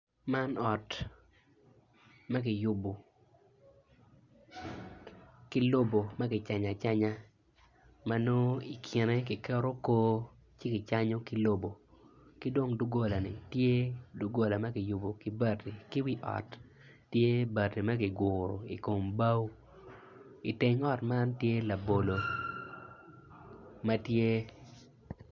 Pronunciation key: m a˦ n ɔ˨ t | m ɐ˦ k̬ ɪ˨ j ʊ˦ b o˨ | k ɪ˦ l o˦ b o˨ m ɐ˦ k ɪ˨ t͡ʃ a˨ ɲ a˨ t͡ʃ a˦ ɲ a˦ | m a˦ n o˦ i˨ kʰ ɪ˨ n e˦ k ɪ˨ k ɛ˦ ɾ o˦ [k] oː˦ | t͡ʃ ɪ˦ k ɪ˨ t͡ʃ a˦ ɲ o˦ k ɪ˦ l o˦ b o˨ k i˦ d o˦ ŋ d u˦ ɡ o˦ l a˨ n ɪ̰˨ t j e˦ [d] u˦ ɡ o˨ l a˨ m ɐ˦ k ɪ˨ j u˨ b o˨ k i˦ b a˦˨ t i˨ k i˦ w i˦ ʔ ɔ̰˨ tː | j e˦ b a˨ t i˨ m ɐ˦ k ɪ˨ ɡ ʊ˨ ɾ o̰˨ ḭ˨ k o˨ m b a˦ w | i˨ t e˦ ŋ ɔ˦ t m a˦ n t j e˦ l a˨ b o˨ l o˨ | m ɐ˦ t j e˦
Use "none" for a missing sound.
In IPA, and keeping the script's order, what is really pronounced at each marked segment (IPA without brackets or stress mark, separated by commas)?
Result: k, d